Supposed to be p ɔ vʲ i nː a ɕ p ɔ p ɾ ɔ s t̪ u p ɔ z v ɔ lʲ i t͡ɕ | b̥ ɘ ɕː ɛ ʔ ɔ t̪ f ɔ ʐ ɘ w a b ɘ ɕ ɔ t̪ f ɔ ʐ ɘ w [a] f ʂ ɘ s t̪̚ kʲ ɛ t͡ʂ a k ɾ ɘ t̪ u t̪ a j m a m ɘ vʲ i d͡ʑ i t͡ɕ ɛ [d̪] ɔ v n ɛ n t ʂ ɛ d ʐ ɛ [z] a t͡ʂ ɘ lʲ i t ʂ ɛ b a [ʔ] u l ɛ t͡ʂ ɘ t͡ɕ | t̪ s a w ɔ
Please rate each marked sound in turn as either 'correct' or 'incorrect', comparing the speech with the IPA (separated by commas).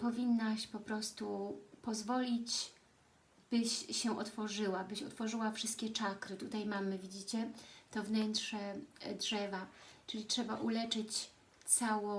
correct, incorrect, incorrect, correct